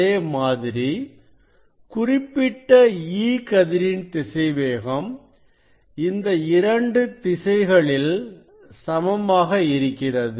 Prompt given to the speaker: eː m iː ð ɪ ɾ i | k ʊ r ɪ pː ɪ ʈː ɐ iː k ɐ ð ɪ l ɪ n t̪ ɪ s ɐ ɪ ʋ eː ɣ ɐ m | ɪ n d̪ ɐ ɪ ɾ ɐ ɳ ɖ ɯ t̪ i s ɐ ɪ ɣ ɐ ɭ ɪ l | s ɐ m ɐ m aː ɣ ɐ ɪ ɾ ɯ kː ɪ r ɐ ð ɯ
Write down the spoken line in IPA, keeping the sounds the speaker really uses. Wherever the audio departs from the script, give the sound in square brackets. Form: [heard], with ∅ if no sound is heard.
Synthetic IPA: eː m [aː] ð ɪ ɾ i | k ʊ r ɪ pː ɪ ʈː ɐ iː k ɐ ð ɪ [ɾ] ɪ n t̪ ɪ s ɐ ɪ ʋ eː ɣ ɐ m | ɪ n d̪ ɐ ɪ ɾ ɐ ɳ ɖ ɯ t̪ [ɪ] s ɐ ɪ ɣ ɐ ɭ ɪ l | s ɐ m ɐ m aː ɣ ɐ ɪ ɾ ɯ kː ɪ r ɐ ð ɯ